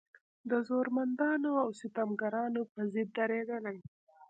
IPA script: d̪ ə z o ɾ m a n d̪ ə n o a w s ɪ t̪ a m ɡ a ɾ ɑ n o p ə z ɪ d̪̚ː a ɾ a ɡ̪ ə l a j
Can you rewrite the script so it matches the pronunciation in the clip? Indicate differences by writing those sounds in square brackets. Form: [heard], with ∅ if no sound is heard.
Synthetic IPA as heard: d̪ ə z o ɾ m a n d̪ [ɑ] n o a w s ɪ t̪ a m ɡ a ɾ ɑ n o p ə z ɪ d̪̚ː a ɾ [e] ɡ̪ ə l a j